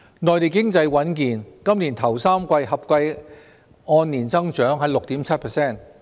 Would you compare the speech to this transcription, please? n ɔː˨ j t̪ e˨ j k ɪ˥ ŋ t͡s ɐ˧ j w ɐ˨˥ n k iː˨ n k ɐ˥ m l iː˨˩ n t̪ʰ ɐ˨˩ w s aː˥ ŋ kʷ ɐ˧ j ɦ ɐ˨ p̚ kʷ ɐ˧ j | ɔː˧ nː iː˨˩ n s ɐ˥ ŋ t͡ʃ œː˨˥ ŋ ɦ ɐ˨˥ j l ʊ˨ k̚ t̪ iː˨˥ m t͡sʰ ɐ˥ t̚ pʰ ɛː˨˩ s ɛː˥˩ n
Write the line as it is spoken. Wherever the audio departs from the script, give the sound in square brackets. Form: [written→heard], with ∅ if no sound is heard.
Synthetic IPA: n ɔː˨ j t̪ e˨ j k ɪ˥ ŋ t͡s ɐ˧ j w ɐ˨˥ n k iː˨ n k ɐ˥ m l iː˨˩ n t̪ʰ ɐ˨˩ w s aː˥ [ŋ→m] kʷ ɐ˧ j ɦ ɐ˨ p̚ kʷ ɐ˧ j | ɔː˧ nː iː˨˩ n [s→t͡s] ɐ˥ ŋ t͡ʃ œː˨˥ ŋ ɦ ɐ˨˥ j l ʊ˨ k̚ t̪ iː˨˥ m t͡sʰ ɐ˥ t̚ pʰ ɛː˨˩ s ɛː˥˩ n